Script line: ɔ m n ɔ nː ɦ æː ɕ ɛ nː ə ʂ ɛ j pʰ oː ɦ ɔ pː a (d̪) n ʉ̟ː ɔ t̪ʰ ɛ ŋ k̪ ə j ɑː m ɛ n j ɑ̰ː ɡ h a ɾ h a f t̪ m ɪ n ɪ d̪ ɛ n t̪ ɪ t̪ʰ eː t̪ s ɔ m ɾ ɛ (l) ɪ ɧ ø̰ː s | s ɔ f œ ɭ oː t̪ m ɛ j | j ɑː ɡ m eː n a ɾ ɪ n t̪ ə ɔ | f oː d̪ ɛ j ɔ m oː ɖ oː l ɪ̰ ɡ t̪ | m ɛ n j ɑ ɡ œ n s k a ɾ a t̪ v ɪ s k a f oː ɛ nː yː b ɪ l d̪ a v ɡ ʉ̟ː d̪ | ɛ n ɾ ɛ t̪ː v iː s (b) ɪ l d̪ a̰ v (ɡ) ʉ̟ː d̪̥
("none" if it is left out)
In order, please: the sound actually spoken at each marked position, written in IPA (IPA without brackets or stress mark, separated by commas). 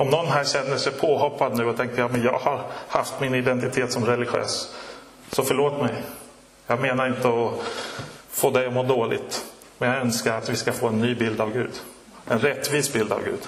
d̪, l, b, ɡ